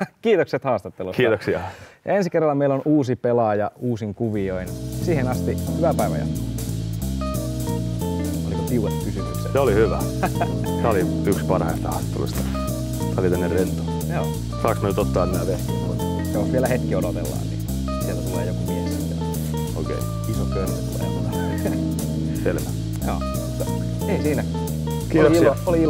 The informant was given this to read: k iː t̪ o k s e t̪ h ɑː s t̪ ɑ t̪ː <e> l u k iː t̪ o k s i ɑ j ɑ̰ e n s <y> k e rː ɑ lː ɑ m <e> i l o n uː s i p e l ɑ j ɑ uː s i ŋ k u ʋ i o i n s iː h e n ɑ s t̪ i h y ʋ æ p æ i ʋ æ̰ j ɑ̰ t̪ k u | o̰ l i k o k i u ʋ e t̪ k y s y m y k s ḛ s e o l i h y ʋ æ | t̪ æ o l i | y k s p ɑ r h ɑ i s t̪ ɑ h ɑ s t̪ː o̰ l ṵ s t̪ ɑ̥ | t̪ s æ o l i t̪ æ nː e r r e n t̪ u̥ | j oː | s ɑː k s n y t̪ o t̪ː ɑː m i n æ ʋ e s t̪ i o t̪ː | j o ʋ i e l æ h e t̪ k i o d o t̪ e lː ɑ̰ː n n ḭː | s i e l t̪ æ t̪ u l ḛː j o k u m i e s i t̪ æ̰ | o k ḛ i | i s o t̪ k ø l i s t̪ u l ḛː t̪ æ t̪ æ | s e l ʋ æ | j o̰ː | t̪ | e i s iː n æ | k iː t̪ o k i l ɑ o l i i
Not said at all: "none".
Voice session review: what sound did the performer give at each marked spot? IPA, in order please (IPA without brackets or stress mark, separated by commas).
e, i, e